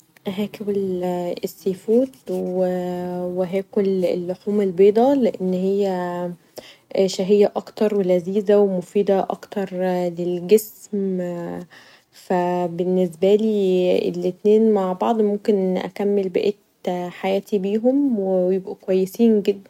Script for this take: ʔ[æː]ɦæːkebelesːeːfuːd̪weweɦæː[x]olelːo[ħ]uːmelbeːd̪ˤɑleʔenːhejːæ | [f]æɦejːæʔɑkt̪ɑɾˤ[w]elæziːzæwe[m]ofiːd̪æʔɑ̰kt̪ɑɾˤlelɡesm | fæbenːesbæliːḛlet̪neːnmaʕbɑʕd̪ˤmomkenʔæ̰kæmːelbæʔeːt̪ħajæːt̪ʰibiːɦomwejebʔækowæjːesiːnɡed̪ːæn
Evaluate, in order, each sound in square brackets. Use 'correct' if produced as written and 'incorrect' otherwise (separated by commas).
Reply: incorrect, incorrect, correct, incorrect, correct, correct